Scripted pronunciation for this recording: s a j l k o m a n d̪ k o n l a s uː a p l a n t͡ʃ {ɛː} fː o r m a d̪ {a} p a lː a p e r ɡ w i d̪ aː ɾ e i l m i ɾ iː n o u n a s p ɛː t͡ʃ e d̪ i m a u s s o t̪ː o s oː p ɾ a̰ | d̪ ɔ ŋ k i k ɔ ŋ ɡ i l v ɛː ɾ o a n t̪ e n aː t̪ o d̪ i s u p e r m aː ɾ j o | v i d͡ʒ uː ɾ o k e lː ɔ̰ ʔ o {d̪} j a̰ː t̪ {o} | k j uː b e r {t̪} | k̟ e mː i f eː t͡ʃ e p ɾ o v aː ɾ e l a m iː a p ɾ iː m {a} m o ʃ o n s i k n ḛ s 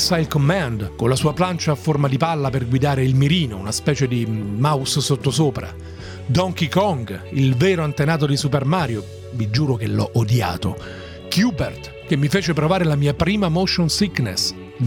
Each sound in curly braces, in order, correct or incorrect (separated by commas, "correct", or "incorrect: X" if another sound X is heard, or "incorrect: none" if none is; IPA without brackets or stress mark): incorrect: aː, incorrect: i, correct, correct, correct, correct